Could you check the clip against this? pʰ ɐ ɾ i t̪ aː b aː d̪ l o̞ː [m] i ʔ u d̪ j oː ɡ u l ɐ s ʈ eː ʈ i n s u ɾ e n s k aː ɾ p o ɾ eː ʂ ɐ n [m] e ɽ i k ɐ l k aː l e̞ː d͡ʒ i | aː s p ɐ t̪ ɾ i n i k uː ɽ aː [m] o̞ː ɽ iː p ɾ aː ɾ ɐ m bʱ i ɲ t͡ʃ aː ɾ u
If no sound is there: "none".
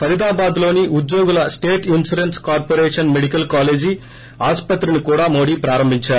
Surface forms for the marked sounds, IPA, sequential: n, m, m

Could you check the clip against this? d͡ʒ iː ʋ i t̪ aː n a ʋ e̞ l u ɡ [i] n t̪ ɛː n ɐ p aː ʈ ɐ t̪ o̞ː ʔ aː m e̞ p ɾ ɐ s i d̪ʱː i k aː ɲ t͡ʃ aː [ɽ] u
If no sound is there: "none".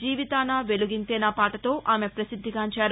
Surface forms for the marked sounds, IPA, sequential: i, ɾ

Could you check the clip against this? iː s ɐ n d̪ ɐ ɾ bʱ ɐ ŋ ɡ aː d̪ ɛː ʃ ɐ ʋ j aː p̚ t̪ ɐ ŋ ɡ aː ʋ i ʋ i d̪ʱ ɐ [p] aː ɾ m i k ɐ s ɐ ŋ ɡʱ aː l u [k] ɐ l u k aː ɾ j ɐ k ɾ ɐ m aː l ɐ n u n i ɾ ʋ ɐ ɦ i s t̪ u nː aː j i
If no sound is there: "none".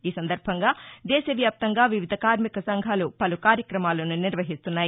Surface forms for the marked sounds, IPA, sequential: k, p

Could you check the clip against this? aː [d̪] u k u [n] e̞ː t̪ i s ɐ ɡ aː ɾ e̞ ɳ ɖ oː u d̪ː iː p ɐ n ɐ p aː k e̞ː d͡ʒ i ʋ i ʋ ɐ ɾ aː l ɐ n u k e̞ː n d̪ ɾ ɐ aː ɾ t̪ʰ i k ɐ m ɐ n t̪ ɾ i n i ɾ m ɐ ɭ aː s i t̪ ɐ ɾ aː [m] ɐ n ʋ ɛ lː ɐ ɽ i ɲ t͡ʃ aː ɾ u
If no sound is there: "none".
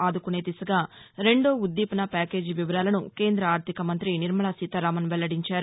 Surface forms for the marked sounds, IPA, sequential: d̪, n, m

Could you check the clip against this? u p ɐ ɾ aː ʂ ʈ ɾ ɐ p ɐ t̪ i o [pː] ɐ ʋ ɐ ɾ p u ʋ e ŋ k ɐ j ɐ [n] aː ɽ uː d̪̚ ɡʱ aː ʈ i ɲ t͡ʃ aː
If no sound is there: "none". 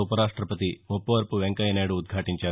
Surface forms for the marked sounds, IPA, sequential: pː, n

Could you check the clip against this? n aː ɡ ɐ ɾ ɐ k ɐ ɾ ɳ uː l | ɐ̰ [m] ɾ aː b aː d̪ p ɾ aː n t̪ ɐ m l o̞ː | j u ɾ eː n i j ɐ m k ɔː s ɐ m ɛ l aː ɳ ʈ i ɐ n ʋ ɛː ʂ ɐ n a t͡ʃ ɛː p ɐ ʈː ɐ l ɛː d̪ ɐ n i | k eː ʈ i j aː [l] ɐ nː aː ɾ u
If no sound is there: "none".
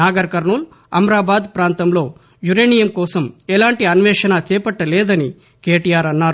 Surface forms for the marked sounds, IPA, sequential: m, ɾ

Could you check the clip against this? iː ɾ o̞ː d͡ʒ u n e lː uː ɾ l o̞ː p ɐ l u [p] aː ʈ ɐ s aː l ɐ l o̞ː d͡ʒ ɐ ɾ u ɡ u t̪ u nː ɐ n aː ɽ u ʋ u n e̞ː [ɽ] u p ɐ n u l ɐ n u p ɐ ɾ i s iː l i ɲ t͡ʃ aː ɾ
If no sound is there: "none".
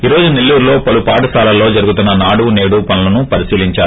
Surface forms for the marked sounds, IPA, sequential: p, ɽ

